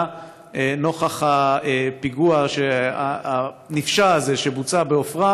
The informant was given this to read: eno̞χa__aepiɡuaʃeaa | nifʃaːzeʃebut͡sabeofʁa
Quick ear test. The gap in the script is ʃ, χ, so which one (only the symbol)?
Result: χ